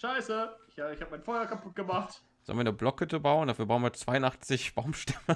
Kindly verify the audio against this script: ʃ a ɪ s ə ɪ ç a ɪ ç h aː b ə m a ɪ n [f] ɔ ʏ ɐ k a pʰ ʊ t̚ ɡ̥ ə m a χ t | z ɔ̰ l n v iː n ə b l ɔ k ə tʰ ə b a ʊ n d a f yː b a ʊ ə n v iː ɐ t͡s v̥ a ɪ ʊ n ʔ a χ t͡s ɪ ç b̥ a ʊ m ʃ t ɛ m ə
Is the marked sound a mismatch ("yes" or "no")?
no